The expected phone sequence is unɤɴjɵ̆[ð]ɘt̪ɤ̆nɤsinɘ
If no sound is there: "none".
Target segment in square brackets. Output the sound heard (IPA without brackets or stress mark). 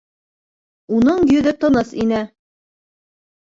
ð